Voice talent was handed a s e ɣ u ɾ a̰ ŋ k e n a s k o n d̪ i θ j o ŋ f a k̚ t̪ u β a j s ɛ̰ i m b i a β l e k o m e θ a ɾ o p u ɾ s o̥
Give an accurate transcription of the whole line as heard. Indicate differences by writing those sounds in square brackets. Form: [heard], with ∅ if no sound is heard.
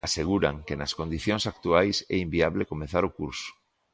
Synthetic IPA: a s e ɣ u ɾ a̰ ŋ k e n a s k o n d̪ i θ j o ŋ [s] a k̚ t̪ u [∅] a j s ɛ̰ i m b i a β l e k o m e θ a ɾ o [k] u ɾ s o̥